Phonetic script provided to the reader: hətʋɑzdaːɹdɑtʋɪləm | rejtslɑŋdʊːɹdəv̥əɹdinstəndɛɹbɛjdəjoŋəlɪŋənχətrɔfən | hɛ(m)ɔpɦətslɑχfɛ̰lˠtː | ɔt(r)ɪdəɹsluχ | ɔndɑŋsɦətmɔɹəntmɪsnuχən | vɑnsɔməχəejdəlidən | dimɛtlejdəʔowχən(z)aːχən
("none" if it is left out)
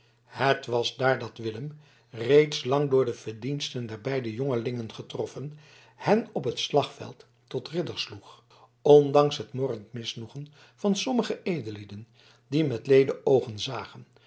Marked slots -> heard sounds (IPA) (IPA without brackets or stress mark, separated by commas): n, r, z